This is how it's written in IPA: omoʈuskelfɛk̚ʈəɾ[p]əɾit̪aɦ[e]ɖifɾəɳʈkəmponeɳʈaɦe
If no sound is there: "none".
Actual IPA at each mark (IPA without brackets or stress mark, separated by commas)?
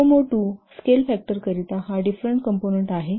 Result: k, a